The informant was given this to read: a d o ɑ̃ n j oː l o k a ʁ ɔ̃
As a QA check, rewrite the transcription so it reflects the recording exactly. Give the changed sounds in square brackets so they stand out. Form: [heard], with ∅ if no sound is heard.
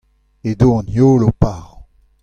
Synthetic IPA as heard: [e] d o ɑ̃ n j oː l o [p] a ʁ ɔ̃